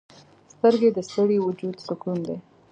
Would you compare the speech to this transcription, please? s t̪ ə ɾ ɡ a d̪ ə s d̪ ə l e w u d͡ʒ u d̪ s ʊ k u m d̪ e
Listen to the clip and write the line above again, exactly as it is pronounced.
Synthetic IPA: s t̪ ə ɾ ɡ e d̪ ə s t̪ ə ɽ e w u d͡ʒ u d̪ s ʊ k u n d̪ e